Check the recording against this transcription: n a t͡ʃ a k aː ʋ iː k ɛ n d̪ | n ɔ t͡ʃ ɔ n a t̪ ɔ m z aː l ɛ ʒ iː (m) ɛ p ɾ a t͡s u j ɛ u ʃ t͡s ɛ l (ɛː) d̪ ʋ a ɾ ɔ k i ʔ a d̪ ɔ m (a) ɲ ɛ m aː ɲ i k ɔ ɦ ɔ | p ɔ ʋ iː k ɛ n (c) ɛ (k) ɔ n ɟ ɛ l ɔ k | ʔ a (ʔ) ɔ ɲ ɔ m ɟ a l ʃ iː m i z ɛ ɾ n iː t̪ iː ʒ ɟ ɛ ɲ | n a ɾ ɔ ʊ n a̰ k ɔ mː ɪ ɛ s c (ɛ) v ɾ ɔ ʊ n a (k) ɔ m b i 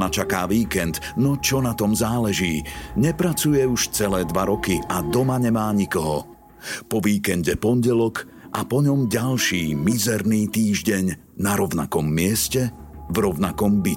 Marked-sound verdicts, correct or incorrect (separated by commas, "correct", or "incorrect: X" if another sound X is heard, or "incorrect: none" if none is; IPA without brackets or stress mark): incorrect: ɲ, correct, correct, incorrect: ɟ, incorrect: p, incorrect: p, correct, correct